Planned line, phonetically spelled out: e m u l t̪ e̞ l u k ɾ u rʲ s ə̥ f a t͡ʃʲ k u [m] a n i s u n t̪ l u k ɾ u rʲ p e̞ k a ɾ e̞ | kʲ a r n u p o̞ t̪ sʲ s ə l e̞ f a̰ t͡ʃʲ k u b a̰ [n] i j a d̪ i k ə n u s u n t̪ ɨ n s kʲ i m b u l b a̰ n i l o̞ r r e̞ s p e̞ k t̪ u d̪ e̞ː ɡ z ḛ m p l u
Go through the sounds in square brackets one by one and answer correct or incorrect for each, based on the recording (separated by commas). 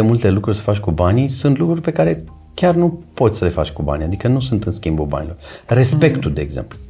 incorrect, correct